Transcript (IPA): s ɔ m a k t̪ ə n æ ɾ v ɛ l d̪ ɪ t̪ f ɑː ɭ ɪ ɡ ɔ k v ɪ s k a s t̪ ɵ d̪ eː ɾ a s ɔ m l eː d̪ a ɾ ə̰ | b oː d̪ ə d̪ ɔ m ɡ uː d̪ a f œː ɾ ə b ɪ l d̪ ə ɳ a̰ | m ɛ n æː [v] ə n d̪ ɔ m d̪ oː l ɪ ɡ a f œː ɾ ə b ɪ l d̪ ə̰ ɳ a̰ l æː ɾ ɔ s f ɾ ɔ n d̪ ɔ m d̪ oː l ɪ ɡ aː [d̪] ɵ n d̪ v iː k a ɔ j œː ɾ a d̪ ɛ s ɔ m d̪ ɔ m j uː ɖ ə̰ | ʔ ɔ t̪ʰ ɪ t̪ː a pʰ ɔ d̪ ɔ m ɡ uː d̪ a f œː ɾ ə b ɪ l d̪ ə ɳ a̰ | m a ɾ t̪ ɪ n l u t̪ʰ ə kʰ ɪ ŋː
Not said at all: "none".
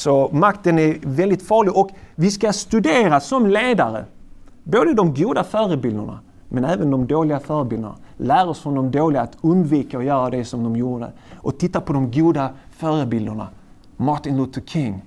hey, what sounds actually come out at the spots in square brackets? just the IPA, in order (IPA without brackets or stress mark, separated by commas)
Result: v, t̪